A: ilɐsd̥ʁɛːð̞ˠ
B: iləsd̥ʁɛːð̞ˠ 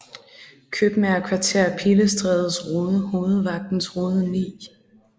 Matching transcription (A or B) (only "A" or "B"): B